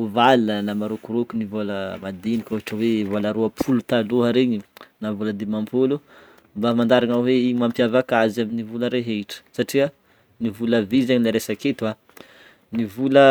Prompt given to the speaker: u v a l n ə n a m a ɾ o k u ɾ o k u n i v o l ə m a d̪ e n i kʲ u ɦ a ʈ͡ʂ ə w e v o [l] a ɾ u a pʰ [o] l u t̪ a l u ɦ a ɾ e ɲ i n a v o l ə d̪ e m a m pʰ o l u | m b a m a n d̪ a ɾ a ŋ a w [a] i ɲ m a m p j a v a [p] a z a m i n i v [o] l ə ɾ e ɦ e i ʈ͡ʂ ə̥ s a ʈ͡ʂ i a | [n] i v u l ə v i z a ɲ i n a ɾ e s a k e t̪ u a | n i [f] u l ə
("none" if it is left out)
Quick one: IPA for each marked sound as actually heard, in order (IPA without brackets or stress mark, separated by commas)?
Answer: l, u, e, k, u, n, v